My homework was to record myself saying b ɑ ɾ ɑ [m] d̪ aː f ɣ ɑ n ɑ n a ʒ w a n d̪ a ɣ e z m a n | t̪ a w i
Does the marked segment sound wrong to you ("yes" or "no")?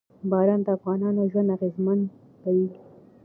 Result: yes